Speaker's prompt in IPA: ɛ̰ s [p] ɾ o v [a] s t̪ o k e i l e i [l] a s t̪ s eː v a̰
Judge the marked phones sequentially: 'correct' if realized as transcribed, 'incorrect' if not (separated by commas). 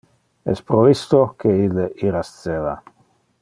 correct, incorrect, incorrect